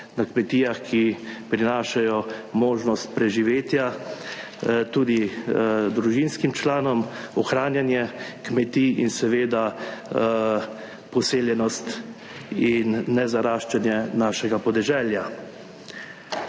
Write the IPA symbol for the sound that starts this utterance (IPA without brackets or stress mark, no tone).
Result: n